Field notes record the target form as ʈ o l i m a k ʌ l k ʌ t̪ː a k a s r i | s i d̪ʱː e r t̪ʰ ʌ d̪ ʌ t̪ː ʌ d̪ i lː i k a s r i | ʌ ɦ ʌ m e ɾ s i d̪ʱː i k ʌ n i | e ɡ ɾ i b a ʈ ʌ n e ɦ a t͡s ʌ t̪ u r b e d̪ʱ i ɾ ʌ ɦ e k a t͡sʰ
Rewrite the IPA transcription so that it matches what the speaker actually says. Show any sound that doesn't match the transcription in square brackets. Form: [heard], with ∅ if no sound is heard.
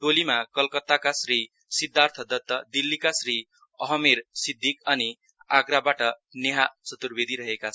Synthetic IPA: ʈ o l i m a k ʌ l k ʌ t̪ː a k a s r i | s i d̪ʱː [a] r t̪ʰ ʌ d̪ ʌ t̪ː ʌ d̪ i lː i k a s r i | ʌ ɦ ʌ m e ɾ s i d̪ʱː i k ʌ n i | [a] ɡ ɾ [a] b a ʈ ʌ n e ɦ a t͡s ʌ t̪ u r b e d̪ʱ i ɾ ʌ ɦ e k a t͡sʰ